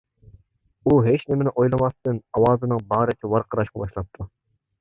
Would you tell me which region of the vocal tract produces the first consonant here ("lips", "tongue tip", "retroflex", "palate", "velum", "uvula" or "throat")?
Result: throat